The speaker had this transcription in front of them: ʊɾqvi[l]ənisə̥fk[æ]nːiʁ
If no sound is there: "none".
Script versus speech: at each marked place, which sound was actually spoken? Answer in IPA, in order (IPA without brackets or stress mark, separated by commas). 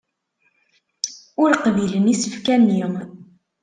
l, æ